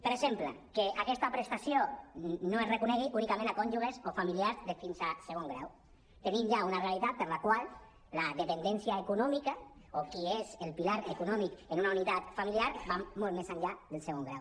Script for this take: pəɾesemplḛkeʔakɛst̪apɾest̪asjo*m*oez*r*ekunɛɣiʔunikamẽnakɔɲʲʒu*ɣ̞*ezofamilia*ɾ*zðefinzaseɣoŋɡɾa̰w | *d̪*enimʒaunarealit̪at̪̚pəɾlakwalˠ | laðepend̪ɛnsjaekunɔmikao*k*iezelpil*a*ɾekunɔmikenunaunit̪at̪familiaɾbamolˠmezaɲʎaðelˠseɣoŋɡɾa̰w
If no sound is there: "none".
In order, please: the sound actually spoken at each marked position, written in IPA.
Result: n, r, ɣ̞, ɾ, t̪, k, a

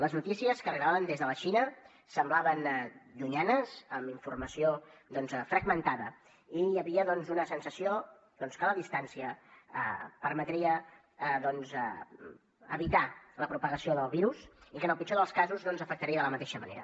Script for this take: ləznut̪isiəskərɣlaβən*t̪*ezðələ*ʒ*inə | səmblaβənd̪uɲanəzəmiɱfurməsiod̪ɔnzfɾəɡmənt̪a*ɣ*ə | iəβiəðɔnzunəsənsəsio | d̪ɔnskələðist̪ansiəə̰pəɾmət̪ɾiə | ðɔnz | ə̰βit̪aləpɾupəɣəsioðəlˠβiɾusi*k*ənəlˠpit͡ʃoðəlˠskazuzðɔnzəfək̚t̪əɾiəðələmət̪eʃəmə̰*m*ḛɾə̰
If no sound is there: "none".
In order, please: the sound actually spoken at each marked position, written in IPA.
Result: d̪, ʃ, ð, k, n

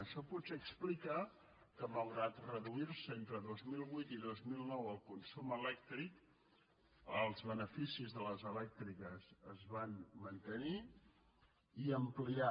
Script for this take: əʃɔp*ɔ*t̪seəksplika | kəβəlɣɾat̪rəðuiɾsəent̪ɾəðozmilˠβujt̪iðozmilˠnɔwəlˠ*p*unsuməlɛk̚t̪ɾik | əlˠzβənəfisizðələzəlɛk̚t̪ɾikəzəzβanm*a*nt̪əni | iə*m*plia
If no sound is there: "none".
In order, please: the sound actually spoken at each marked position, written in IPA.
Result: u, k, ə, m

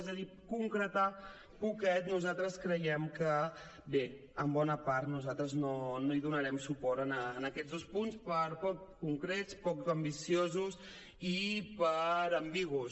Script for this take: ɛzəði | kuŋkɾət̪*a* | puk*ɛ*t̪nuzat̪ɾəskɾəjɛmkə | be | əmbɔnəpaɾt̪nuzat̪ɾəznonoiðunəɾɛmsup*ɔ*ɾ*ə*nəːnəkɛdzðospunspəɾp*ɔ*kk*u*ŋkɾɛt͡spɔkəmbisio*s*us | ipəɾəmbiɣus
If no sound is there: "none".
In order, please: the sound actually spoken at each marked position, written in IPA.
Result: a, ɛ, ɔ, ə, ɔ, u, z

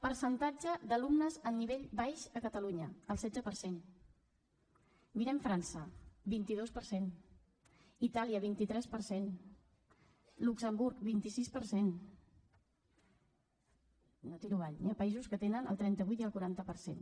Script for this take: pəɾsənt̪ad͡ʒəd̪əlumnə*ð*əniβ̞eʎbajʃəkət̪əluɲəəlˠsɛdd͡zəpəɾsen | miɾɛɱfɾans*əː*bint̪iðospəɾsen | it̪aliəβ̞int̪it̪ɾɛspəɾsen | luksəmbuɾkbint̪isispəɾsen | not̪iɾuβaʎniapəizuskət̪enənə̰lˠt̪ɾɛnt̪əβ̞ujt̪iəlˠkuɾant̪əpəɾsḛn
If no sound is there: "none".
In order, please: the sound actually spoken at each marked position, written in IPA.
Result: z, ə

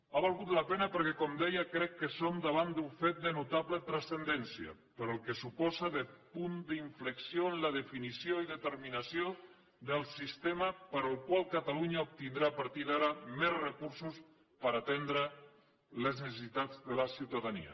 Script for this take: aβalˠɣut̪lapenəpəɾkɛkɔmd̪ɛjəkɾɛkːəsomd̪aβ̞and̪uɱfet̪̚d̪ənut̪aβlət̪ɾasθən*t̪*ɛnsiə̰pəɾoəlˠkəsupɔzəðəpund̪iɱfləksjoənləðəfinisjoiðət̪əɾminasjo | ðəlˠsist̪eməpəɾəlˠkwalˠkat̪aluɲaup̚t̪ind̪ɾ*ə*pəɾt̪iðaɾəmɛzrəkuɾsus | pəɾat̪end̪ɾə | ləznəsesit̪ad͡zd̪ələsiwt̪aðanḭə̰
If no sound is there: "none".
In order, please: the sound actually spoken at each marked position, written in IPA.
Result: d̪, a

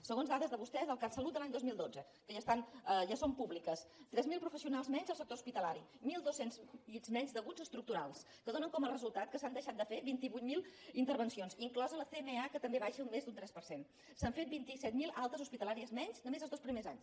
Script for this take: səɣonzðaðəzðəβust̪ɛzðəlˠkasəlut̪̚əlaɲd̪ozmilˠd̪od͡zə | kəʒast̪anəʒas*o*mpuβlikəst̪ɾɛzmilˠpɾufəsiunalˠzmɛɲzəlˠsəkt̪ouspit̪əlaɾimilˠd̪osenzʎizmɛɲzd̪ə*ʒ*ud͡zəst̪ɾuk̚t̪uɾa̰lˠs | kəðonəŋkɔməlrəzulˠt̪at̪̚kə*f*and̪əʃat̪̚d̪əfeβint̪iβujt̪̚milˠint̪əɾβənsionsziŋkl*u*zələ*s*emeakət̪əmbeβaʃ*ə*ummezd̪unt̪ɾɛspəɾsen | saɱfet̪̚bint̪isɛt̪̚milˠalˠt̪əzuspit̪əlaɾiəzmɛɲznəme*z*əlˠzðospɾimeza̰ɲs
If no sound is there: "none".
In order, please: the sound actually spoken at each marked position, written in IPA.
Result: o, ɣ, s, ɔ, θ, ə, z

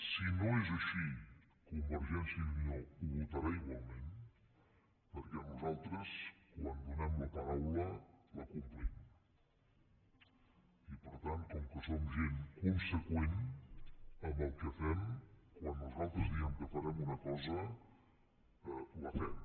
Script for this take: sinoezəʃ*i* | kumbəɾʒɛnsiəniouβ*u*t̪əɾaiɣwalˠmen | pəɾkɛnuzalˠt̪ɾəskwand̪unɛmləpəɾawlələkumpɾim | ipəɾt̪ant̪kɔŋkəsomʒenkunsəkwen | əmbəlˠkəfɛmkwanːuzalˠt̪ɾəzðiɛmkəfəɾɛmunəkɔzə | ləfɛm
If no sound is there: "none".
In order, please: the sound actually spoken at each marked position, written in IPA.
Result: i, u

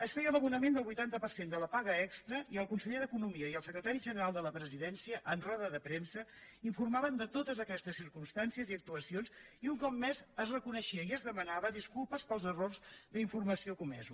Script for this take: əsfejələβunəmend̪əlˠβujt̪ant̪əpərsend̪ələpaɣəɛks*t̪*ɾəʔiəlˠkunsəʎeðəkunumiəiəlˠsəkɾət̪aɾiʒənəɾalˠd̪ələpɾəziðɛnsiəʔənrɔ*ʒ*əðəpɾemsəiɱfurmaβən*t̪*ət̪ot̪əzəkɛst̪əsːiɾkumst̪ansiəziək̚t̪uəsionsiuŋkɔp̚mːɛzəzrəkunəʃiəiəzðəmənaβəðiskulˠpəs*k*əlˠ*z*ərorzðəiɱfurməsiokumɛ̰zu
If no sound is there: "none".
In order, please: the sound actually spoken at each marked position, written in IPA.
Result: t̪, ð, d̪, p, z

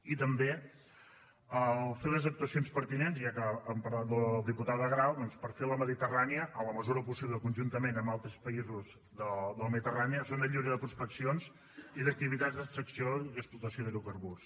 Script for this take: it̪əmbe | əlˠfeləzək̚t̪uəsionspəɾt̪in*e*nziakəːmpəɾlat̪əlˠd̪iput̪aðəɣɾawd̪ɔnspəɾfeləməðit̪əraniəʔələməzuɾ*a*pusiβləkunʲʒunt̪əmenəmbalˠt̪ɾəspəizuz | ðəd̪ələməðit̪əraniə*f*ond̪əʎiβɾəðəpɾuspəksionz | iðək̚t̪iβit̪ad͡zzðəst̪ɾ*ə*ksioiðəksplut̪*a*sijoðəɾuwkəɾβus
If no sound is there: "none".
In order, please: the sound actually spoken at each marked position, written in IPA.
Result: e, ə, s, ə, ə

